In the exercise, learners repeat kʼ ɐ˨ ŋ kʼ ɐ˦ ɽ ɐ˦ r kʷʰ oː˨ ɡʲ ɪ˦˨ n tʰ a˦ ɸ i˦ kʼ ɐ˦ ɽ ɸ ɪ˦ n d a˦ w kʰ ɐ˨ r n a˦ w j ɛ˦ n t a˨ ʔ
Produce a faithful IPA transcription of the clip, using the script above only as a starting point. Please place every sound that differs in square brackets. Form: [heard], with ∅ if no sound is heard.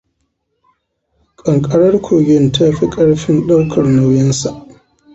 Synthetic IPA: kʼ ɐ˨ ŋ kʼ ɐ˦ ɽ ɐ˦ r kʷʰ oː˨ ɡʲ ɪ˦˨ n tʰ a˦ ɸ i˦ kʼ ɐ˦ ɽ ɸ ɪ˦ n [ɗ] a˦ w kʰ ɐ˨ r n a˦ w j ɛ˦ n [s] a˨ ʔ